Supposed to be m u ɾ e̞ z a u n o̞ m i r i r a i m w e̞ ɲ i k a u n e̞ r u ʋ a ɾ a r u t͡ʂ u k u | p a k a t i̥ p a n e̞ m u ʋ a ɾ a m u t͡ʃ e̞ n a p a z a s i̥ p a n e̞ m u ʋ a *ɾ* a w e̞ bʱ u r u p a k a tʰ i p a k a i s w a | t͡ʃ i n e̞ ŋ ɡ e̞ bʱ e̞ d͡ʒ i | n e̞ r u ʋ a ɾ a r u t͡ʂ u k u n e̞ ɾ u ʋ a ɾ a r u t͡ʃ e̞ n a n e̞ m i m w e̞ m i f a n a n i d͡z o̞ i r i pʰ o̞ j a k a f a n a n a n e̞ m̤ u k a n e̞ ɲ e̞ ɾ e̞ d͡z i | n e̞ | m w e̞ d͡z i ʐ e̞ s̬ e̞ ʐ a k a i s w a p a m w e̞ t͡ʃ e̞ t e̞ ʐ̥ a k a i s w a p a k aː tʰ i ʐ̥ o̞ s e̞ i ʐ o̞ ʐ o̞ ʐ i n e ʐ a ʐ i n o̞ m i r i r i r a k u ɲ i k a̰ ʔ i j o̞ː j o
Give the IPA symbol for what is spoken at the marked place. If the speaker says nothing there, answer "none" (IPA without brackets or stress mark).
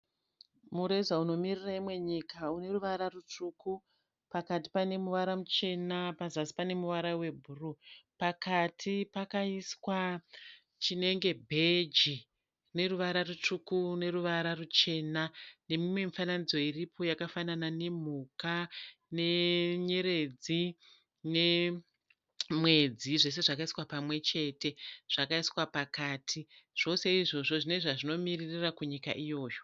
ɾ